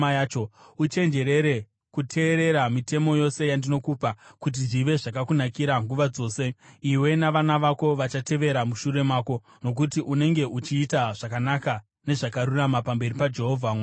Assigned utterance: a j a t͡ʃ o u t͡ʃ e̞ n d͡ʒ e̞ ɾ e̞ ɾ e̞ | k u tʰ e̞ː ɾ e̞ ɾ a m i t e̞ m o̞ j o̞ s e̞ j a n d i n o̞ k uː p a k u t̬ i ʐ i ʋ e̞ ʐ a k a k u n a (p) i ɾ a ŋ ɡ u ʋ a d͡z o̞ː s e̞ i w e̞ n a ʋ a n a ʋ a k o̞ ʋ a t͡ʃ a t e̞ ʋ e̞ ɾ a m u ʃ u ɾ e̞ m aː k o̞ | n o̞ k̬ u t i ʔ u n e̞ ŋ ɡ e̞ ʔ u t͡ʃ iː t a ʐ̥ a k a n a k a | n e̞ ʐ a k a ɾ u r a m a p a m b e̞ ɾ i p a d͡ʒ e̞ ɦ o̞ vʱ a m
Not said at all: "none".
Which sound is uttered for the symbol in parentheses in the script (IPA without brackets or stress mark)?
k